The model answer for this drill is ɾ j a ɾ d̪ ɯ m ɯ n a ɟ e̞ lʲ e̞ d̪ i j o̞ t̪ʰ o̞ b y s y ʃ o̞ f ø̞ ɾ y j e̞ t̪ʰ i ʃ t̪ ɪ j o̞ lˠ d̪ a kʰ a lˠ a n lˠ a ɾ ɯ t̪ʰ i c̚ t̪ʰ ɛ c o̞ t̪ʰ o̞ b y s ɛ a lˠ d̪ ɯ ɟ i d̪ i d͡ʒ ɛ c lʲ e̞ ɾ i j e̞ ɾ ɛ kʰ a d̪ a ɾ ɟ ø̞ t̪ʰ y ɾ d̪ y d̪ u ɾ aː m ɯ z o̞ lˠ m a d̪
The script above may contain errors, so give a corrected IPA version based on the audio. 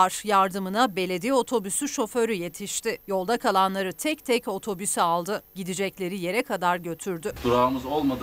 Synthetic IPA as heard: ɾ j a ɾ d̪ ɯ m ɯ n a b e̞ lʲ e̞ d̪ i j o̞ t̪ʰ o̞ b y s y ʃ o̞ f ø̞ ɾ y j e̞ t̪ʰ i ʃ t̪ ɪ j o̞ lˠ d̪ a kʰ a lˠ a n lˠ a ɾ ɯ t̪ʰ ɛ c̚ t̪ʰ ɛ c o̞ t̪ʰ o̞ b y s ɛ a lˠ d̪ ɯ ɟ i d̪ i d͡ʒ ɛ c lʲ e̞ ɾ i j e̞ ɾ ɛ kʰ a d̪ a ɾ ɟ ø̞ t̪ʰ y ɾ d̪ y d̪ u ɾ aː m ɯ z o̞ lˠ m a d̪